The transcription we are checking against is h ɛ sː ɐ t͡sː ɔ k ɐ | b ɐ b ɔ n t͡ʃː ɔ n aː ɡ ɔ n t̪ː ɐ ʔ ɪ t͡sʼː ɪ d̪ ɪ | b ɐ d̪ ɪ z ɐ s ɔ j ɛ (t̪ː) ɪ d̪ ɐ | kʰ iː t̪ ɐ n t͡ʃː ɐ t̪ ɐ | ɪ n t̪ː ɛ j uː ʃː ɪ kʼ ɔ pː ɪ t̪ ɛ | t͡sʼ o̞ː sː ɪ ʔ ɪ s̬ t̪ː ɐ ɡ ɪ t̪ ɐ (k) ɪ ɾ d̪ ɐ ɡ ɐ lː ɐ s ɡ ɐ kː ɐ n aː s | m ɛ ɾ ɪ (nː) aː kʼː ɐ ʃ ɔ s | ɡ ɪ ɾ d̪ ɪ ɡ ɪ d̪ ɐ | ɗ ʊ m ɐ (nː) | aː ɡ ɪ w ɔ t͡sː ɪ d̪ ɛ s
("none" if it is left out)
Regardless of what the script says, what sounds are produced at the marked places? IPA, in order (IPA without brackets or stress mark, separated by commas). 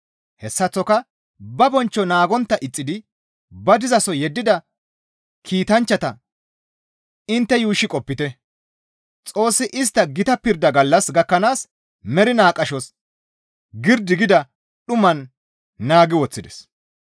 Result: d̪ː, p, n, nː